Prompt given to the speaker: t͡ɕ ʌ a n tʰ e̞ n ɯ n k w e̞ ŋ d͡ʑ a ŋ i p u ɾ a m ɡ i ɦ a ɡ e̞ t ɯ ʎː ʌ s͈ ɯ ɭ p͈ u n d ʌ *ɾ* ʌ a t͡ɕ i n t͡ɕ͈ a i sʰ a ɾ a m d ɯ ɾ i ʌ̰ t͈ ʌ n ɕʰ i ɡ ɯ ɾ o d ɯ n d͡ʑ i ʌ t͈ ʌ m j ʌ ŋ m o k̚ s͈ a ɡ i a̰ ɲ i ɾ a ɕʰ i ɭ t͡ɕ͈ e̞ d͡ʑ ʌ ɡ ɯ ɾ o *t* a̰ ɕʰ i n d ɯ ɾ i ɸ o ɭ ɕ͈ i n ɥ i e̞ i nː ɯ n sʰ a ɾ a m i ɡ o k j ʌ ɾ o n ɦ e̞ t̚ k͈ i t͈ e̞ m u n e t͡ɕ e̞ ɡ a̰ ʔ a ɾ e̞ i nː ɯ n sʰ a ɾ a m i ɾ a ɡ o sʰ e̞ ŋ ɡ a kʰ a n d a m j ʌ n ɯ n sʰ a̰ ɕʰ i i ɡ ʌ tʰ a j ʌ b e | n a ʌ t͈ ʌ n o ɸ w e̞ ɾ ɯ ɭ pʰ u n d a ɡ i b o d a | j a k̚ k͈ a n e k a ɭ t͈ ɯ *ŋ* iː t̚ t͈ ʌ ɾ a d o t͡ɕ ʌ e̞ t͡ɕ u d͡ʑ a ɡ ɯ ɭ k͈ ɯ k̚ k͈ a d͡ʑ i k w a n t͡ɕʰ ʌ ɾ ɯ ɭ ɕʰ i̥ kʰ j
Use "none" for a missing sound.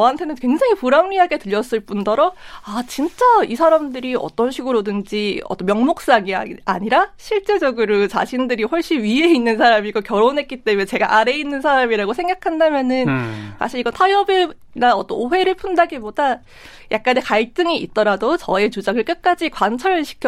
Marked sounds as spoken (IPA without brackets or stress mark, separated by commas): ɾ, t͡ɕ, ŋ